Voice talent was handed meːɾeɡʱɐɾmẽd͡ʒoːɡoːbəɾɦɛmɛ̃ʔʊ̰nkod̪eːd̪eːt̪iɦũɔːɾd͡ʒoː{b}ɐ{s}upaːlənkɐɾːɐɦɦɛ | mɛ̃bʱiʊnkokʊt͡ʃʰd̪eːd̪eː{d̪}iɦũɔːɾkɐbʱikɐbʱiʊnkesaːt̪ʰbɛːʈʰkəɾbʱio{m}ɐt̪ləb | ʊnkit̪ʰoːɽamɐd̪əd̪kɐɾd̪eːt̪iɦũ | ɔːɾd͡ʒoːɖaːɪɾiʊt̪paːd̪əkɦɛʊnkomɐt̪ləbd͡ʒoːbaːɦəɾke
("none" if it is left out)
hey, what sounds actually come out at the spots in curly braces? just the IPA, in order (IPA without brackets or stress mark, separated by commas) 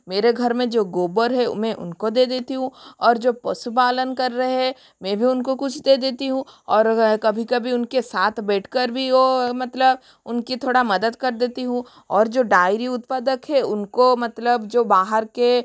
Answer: p, s, t̪, m